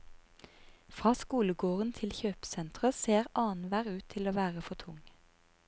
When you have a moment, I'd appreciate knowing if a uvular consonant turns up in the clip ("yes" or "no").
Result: yes